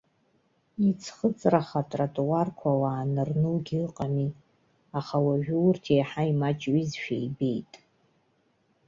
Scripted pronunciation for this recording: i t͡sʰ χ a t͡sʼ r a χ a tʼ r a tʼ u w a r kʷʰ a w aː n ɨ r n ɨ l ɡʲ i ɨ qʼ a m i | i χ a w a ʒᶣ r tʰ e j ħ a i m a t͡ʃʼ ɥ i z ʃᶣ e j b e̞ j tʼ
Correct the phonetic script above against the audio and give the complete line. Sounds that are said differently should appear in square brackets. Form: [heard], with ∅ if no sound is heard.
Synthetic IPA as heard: i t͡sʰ χ [ə] t͡sʼ r a χ a tʼ r a tʼ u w a r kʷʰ a w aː n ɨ r n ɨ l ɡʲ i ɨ qʼ a m i | [a] χ a w a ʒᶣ r tʰ e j ħ a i m a t͡ʃʼ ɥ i z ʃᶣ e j b e̞ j tʼ